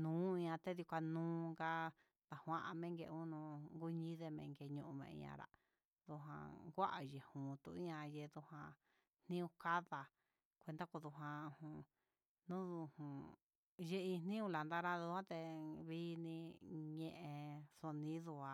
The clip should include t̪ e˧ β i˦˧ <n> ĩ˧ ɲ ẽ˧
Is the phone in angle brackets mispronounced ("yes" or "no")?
no